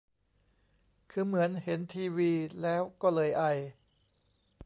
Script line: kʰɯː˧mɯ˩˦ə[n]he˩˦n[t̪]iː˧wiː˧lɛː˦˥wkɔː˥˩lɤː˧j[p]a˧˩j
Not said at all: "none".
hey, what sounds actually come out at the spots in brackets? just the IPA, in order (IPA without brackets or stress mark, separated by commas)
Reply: n, t̪ʰ, ʔ